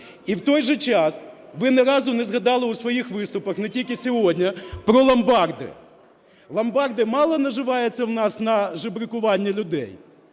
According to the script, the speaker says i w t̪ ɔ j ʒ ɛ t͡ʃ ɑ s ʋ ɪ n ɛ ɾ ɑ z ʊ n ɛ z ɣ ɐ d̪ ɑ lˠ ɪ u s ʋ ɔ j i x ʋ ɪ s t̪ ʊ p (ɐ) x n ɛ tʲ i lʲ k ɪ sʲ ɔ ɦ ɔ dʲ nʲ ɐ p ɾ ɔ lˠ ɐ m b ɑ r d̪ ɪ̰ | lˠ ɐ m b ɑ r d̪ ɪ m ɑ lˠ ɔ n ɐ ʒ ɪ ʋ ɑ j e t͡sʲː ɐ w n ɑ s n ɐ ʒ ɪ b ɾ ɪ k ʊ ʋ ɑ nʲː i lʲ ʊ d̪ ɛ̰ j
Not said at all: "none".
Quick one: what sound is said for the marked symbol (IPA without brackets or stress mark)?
ɐ